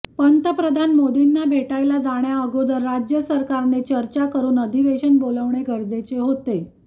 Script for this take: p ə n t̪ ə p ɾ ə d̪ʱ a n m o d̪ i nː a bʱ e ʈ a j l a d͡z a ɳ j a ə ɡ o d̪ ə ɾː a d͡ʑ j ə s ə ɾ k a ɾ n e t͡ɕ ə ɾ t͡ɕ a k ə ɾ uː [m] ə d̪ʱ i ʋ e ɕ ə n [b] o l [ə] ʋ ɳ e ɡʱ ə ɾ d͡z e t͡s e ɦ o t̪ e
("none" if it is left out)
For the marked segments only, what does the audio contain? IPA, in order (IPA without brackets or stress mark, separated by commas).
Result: n, b, ə